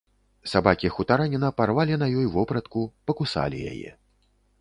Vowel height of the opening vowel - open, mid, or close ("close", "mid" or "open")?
open